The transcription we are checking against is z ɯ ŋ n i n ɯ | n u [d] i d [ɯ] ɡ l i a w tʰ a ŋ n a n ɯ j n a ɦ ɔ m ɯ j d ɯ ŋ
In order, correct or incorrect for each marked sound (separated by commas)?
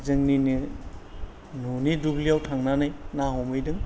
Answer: incorrect, incorrect